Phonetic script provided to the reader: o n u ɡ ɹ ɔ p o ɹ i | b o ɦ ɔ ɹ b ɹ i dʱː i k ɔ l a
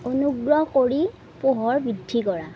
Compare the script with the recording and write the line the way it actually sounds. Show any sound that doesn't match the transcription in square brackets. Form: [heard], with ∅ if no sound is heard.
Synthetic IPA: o n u ɡ ɹ ɔ [k] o ɹ i | [p] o ɦ ɔ ɹ b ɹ i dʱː i k ɔ [ɹ] a